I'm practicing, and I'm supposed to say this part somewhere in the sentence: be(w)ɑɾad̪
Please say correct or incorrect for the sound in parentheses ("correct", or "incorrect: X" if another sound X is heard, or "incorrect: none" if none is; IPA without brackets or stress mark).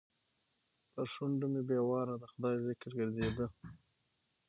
correct